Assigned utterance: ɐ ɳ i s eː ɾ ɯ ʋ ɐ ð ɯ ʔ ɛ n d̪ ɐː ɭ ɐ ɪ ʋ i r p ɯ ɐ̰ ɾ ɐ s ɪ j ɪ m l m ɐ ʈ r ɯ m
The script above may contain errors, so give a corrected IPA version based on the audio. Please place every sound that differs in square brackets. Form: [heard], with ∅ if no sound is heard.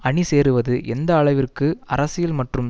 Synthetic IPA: ɐ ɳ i s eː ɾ ɯ ʋ ɐ ð ɯ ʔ ɛ n d̪ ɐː ɭ ɐ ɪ ʋ [ɪ] r [k] ɯ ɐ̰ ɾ ɐ s ɪ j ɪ [∅] l m ɐ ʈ r ɯ m